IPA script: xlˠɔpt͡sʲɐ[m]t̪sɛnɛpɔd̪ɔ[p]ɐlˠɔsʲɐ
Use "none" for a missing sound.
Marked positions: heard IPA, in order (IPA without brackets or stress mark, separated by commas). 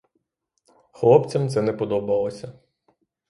m, b